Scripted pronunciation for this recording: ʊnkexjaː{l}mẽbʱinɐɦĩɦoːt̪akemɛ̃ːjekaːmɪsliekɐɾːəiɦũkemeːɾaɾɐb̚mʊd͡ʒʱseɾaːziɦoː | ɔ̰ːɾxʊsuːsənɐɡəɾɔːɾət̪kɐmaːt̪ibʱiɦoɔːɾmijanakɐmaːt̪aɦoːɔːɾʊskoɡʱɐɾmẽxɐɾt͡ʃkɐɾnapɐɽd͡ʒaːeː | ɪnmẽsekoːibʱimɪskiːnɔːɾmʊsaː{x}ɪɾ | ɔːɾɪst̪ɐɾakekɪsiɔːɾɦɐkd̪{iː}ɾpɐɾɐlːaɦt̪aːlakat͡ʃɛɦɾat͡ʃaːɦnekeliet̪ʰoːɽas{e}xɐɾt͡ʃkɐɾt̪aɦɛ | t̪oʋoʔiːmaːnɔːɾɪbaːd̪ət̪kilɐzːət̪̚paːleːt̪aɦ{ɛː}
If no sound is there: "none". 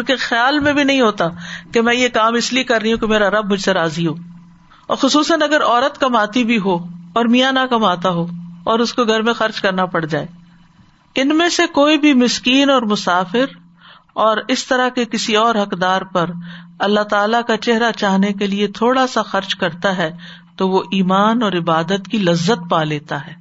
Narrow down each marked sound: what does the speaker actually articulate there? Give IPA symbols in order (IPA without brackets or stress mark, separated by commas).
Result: l, f, aː, a, ɛː